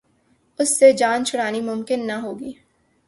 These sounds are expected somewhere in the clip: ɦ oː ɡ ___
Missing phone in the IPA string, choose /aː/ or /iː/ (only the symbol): iː